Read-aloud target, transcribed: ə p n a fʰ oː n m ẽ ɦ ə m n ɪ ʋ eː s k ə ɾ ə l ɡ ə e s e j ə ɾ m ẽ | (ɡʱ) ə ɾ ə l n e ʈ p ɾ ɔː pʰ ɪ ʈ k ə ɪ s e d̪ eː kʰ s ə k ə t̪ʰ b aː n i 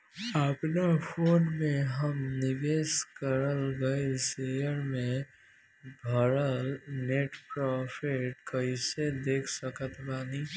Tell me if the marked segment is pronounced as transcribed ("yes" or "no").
no